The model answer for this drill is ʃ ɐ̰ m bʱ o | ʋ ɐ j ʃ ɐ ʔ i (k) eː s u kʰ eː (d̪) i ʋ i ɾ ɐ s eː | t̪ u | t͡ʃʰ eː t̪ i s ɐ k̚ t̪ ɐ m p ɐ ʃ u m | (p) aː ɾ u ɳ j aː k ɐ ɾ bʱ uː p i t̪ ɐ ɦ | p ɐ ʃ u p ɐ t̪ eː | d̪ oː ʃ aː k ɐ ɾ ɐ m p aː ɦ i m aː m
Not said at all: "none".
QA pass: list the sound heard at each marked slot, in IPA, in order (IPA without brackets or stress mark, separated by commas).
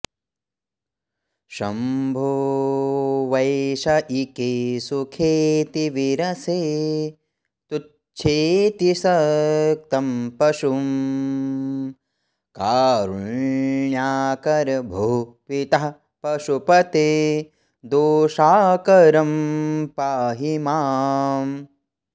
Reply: k, t̪, k